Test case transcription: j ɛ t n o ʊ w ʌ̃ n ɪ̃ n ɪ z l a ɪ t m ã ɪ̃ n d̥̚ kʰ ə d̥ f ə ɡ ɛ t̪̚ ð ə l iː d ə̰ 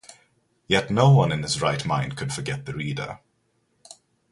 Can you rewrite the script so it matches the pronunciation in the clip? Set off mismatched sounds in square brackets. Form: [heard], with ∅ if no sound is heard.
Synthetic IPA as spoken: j ɛ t n o ʊ w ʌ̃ n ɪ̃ n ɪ z [ɹ] a ɪ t m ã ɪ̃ n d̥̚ kʰ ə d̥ f ə ɡ ɛ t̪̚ ð ə [ɹ] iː d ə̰